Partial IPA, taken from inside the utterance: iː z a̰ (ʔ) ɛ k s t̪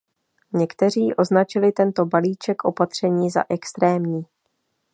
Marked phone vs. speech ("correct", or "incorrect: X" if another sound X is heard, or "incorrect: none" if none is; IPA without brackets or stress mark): correct